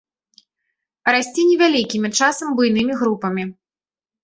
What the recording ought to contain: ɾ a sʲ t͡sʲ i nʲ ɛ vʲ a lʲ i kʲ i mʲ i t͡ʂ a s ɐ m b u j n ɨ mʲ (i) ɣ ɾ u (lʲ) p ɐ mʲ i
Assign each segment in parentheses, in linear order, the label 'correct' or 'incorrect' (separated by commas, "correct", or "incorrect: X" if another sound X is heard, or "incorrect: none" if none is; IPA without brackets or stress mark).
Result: correct, incorrect: none